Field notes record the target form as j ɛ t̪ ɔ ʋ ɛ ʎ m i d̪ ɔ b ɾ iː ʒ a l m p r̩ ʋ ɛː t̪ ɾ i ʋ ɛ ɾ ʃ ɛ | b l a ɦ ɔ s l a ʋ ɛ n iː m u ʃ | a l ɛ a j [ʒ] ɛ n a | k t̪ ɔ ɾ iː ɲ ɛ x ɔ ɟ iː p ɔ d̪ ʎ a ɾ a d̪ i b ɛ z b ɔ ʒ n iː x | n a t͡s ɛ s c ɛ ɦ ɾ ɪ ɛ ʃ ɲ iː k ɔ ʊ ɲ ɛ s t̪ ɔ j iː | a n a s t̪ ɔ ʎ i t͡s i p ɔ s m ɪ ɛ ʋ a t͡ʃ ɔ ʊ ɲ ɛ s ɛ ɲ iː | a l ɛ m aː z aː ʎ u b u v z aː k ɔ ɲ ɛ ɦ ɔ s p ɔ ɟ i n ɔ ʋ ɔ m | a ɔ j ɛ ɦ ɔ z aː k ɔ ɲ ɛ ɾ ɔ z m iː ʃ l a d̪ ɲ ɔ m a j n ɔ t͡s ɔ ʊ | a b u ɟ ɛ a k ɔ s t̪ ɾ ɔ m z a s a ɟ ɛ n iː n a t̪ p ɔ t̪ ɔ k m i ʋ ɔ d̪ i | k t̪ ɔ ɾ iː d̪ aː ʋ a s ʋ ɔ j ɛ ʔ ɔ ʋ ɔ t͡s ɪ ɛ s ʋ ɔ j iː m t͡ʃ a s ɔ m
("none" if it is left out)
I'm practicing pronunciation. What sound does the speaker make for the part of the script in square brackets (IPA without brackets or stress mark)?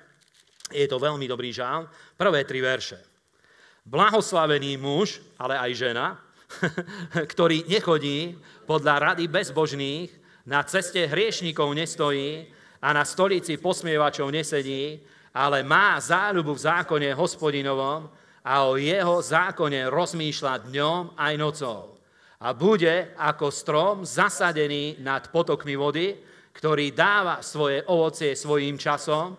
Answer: ʒ